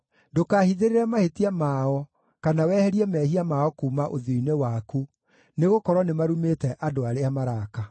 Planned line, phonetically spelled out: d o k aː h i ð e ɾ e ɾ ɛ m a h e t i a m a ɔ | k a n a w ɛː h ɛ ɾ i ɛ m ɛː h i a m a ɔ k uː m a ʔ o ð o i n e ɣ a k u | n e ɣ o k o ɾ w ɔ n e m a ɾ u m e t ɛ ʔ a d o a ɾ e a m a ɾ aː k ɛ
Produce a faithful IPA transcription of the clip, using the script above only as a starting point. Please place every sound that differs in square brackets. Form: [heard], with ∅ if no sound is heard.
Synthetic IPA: d o k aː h i ð e ɾ e ɾ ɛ m a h e t i a m a ɔ | k a n a w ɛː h ɛ ɾ i ɛ m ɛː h i a m a ɔ k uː m a ʔ o ð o i n e [w] a k u | n e ɣ o k [ɔ] ɾ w ɔ n e m a ɾ u m e t ɛ ʔ a d o a ɾ e a m a ɾ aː k [a]